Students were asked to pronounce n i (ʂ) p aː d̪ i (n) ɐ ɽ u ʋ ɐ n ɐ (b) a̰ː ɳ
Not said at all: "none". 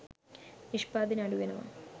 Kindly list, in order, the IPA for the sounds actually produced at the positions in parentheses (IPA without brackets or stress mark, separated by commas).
ʂ, n, m